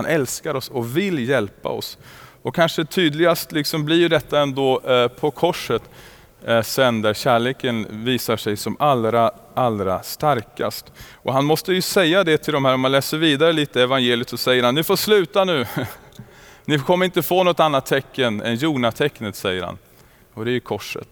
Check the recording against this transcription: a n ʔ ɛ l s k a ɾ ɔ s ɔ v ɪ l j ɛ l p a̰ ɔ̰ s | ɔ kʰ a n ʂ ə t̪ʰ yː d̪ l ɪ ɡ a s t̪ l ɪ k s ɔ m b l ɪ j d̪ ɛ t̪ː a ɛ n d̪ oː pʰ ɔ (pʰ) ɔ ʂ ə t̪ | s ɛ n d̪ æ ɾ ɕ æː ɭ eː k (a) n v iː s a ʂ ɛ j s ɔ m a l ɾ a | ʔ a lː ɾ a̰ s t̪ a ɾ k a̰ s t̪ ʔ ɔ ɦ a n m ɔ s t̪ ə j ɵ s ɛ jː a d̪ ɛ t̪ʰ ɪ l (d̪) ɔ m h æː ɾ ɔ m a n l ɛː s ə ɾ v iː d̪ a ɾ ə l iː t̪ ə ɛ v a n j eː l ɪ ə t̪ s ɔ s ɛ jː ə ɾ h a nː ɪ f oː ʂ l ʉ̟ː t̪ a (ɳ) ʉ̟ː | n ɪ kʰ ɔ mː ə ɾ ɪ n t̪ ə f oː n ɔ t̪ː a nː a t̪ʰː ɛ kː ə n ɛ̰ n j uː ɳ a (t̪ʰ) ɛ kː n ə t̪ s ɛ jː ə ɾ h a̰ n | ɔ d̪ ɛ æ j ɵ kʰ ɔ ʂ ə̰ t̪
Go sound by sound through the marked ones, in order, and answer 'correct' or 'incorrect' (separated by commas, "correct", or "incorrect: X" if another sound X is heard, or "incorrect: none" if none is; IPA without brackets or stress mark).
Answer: incorrect: kʰ, incorrect: ə, correct, incorrect: n, correct